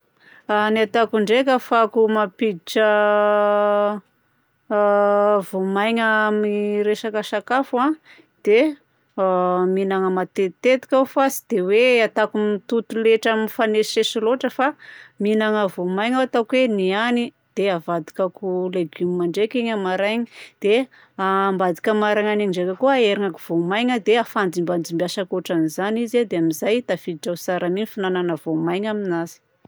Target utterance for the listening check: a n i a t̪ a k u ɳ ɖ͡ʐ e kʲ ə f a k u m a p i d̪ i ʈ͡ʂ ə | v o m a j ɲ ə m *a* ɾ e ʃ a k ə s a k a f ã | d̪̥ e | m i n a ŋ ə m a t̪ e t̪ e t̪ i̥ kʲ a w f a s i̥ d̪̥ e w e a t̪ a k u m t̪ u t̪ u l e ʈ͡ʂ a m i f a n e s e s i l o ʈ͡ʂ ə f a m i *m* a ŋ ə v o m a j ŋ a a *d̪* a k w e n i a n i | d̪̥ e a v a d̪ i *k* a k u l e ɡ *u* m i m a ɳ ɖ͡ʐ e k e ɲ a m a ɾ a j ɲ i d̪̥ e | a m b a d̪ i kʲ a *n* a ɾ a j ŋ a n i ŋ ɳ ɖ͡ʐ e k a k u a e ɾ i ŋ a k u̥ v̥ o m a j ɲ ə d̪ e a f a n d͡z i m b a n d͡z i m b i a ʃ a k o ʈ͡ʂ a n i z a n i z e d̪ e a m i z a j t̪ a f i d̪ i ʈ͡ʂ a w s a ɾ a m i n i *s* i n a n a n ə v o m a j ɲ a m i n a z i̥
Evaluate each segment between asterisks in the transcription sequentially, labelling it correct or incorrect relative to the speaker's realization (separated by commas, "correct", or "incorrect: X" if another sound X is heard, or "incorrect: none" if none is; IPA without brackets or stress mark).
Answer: incorrect: i, incorrect: n, incorrect: t̪, correct, correct, incorrect: m, incorrect: f